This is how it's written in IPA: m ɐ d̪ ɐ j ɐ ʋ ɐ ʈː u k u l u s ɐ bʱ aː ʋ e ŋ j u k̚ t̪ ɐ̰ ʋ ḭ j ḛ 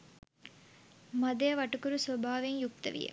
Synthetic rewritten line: m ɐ d̪ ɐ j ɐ ʋ ɐ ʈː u k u ɾ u s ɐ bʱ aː ʋ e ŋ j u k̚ t̪ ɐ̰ ʋ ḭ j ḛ